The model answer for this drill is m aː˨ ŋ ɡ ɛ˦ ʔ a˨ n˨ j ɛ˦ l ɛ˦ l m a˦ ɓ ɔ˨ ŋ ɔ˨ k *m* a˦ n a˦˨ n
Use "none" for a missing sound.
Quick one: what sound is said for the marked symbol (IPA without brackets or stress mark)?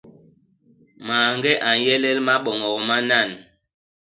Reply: m